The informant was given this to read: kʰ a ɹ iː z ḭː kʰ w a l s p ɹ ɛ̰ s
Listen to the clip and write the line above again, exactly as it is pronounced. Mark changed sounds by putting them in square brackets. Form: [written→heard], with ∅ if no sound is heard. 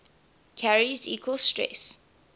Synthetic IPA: kʰ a ɹ [iː→i] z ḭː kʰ w [a→ə] l s [p→t] ɹ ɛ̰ s